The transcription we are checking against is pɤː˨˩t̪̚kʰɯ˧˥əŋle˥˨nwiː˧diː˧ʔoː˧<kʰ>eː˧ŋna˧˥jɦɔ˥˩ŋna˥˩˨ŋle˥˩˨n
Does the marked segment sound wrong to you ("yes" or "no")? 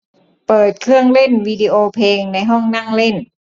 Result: yes